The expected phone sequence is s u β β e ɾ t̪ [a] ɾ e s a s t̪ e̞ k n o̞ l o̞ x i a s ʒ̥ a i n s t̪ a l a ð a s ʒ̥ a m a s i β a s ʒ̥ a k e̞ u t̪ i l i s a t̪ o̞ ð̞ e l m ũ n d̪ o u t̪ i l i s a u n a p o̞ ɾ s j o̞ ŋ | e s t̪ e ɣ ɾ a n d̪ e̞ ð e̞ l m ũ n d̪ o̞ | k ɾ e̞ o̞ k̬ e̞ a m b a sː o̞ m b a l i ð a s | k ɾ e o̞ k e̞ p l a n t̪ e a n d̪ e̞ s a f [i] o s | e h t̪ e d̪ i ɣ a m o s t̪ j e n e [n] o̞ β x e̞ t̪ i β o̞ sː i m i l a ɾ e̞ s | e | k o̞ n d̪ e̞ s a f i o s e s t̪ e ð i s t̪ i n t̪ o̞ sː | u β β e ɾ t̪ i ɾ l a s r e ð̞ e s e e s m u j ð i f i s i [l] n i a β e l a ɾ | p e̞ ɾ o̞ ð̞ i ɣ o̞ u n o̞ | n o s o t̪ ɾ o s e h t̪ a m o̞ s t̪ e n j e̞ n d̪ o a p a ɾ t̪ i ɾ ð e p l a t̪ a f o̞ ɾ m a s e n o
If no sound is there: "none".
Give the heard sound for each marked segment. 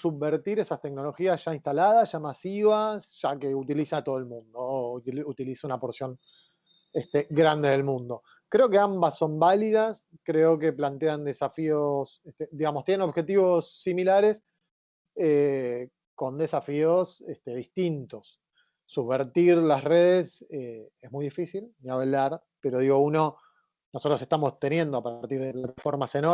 i, i, n, l

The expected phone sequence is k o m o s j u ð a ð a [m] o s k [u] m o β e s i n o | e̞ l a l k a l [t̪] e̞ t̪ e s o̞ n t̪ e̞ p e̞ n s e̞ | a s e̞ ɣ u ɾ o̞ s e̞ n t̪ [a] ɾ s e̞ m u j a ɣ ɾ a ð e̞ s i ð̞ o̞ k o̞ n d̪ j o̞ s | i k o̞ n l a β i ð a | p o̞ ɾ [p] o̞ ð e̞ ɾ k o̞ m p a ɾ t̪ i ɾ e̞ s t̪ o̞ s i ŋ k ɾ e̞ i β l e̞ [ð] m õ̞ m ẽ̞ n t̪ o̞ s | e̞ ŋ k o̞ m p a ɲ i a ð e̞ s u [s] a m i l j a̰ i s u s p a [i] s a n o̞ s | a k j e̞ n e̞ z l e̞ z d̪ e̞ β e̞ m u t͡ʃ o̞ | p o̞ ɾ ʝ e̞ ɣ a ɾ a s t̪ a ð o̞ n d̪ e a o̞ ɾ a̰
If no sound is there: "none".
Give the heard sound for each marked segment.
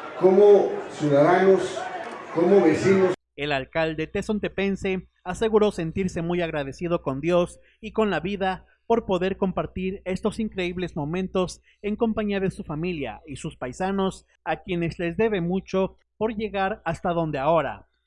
n, o, d̪, i, p, z, f, j

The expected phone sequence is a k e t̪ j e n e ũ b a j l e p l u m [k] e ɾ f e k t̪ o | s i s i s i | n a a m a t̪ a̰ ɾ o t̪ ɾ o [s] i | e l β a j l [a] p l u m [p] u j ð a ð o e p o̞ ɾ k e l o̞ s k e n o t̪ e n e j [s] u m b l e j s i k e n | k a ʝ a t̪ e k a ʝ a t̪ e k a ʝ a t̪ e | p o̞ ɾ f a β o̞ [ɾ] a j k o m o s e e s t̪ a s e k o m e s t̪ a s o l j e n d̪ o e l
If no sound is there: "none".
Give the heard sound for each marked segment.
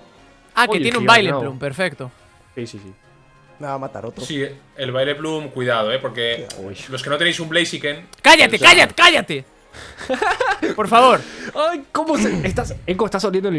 p, s, e, k, s, ɾ

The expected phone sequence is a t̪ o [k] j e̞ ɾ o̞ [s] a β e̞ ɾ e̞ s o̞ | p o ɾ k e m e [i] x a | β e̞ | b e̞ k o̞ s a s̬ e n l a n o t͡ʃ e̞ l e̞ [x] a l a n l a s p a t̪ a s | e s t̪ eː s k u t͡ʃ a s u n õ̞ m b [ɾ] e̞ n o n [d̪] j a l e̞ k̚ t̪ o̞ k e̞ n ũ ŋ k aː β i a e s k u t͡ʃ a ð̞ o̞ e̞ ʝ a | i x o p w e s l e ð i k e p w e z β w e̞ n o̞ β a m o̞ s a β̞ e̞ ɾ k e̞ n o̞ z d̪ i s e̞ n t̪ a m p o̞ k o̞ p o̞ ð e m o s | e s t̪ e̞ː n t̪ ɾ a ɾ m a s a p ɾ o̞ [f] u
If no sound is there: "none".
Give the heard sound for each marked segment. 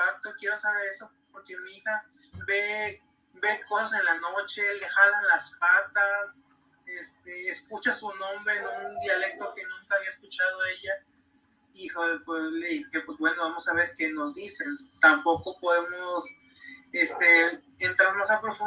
k, s, i, x, ɾ, d̪, f

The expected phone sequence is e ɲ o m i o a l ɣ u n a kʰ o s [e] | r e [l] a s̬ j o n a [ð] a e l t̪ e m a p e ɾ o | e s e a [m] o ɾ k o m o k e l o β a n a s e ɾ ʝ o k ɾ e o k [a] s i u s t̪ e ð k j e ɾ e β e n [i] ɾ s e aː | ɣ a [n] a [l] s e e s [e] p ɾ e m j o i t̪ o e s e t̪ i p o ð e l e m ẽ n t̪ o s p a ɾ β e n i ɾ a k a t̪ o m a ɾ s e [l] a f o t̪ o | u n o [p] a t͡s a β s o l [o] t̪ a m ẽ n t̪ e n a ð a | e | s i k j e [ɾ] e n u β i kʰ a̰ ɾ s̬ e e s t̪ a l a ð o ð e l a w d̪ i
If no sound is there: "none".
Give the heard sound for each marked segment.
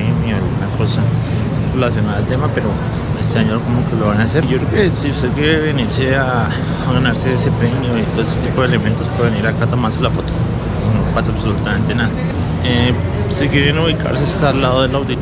a, l, ð, ɲ, e, i, n, ɾ, e, l, p, u, ɾ

